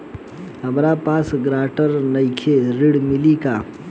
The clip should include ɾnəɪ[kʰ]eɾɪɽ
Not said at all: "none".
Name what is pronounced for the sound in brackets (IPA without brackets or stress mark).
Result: kʰ